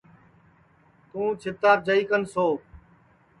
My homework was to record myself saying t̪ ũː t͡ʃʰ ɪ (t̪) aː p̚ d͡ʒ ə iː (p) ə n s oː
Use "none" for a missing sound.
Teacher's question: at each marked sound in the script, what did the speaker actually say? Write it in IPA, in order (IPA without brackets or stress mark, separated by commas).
t̪, k